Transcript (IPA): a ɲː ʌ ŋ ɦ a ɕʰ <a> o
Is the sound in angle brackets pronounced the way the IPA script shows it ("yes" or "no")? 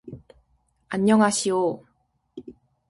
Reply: no